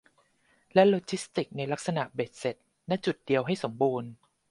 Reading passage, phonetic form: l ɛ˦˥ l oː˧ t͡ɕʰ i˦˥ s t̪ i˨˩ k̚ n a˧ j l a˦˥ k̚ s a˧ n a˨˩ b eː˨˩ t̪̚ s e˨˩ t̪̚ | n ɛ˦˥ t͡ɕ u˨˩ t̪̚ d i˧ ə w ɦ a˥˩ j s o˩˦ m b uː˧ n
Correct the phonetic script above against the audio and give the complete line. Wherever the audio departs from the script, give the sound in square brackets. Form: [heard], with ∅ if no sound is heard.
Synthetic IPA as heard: l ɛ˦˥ l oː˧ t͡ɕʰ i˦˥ s t̪ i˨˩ k̚ n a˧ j l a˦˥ k̚ s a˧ n a˨˩ b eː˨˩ t̪̚ s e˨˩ t̪̚ | n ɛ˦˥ t͡ɕ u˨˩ t̪̚ d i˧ ə w ɦ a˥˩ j s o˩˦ m b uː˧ n